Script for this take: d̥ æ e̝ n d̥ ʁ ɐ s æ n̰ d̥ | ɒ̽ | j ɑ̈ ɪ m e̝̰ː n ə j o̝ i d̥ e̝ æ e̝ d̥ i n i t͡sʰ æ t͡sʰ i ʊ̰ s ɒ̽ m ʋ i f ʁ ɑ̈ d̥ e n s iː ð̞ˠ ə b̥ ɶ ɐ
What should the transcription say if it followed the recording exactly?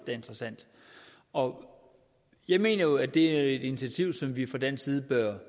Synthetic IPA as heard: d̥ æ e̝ n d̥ ʁ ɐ s æ n̰ d̥ | ɒ̽ | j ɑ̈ ɪ m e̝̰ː n ɐ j o̝ æ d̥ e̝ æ e̝ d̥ i n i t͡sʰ æ t͡sʰ i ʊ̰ s ɒ̽ m ʋ i f ʁ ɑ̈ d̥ e n s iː ð̞ˠ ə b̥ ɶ ɐ